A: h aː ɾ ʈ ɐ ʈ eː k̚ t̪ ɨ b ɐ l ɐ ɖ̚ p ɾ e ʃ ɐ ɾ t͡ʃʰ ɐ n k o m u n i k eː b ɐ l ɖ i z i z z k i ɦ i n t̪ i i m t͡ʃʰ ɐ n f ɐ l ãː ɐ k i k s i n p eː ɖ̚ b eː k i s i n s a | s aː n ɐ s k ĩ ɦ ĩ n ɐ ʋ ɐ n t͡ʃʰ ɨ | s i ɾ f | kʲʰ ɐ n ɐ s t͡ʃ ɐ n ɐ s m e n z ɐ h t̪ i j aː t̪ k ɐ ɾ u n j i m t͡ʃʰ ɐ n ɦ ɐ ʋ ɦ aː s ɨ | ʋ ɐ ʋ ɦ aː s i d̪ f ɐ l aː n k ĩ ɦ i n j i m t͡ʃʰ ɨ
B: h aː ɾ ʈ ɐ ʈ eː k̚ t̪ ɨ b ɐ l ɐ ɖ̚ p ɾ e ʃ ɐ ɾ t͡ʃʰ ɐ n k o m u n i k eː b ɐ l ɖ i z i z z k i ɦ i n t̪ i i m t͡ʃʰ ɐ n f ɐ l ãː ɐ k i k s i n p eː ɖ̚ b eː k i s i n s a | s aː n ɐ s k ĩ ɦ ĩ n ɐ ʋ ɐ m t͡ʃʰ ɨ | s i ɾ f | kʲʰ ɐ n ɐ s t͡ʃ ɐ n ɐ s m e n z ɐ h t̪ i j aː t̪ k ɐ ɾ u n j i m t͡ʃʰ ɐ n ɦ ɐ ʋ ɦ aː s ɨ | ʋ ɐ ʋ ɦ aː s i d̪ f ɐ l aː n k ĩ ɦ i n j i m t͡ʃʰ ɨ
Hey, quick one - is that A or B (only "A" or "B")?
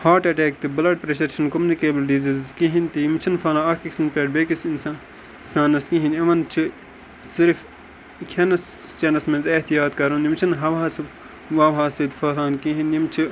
A